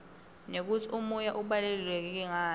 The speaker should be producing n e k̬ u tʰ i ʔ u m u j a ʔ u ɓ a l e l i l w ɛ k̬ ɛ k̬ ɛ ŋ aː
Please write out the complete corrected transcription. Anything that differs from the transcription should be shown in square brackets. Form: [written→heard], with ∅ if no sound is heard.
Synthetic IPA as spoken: n e k̬ u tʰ i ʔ u m u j a ʔ u ɓ a l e l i l w ɛ k̬ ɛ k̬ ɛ ŋ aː